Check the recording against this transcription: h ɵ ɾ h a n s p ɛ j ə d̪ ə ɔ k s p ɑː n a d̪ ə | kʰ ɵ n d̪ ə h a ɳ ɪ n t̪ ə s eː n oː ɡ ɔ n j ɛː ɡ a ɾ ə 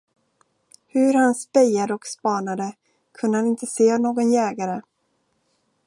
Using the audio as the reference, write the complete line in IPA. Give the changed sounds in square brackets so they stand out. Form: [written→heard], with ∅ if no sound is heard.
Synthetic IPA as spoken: h ɵ ɾ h a n s p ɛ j [ə→a] d̪ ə ɔ k s p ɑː n a d̪ ə | kʰ ɵ n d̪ ə h a [ɳ→n] ɪ n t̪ ə s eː n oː ɡ ɔ n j ɛː ɡ a ɾ ə